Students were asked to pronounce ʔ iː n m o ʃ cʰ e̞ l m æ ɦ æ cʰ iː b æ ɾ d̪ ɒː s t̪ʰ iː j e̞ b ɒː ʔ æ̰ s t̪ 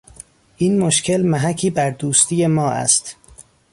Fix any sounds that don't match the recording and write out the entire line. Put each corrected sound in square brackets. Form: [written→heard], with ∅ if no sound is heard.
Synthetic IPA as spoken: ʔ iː n m o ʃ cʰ e̞ l m æ ɦ æ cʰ iː b æ ɾ d̪ [ɒː→uː] s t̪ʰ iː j e̞ [b→m] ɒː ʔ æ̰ s t̪